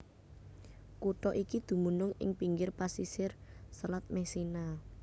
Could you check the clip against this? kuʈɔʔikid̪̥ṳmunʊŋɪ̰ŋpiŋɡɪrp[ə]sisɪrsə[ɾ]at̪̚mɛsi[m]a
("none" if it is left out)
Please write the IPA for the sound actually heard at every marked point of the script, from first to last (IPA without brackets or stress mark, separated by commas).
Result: a, l, n